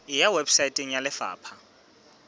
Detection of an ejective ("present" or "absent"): present